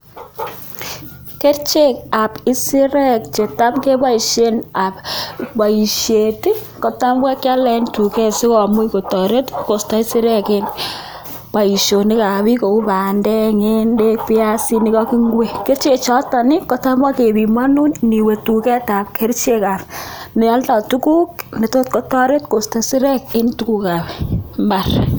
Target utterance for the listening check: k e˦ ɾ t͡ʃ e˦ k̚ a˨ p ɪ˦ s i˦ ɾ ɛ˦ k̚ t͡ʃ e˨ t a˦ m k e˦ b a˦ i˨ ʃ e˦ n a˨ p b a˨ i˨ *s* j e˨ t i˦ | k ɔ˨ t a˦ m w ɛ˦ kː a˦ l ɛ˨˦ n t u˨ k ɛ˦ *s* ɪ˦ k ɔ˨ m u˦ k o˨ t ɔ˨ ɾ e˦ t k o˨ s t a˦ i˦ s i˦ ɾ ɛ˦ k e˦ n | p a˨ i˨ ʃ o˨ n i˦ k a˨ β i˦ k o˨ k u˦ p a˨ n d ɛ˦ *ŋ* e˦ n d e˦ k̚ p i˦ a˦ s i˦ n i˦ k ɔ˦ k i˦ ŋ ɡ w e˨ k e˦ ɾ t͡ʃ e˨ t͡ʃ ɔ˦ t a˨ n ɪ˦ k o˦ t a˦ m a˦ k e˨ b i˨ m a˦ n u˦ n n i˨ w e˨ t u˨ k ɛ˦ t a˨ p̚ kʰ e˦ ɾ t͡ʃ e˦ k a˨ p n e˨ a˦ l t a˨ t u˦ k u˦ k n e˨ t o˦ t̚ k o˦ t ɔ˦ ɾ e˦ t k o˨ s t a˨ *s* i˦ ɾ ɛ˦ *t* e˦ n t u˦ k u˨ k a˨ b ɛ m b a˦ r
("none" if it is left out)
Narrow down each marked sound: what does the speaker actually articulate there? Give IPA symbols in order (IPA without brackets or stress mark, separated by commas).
ʃ, s, ŋ, s, k